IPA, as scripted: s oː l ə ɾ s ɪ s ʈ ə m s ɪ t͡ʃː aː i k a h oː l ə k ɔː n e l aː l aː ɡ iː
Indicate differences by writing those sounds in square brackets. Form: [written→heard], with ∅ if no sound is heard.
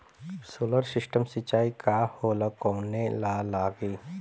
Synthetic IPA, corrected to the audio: s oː l ə ɾ s ɪ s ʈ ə m s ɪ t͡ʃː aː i k a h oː l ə k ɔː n e l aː l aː ɡ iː